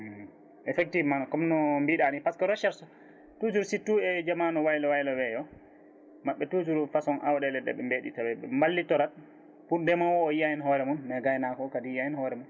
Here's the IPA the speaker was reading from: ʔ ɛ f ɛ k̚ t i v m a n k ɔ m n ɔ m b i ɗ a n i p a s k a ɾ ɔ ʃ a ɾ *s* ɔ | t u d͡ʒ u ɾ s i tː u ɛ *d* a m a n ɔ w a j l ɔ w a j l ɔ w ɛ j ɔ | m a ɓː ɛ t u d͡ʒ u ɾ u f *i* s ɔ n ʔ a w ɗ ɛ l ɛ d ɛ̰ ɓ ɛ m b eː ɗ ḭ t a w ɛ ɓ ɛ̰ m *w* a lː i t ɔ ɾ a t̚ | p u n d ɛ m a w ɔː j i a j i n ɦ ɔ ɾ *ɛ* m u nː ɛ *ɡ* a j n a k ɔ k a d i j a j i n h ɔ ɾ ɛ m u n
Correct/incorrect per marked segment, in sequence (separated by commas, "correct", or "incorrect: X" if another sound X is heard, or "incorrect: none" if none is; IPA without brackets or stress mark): correct, incorrect: d͡ʒ, incorrect: a, incorrect: b, correct, correct